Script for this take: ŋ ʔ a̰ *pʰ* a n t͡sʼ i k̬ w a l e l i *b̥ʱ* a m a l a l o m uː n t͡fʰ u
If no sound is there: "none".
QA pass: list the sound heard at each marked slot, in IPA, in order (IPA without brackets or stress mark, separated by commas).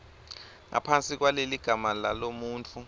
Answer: pʰ, ɡ̥ʱ